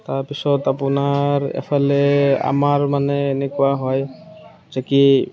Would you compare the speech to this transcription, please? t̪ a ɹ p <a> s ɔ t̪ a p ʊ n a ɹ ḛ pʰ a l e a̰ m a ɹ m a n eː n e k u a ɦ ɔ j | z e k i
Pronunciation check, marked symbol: incorrect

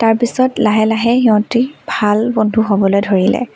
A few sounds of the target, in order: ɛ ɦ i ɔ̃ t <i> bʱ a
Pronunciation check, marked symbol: correct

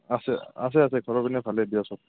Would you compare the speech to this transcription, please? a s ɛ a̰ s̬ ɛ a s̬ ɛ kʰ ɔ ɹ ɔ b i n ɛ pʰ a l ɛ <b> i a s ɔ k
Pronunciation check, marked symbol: correct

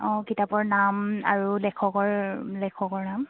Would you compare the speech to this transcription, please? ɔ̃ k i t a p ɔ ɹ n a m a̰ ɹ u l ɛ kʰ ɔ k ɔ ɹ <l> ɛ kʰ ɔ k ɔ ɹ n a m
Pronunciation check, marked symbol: correct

